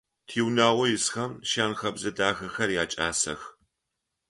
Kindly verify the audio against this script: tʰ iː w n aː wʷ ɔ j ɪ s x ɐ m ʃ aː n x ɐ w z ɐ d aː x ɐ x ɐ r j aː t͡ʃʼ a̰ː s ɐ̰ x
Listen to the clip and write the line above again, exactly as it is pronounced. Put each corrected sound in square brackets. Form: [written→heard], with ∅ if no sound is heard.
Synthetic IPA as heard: tʰ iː w n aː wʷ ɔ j ɪ s x ɐ m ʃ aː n x ɐ [w→b] z ɐ d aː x ɐ x ɐ r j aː t͡ʃʼ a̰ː s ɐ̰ x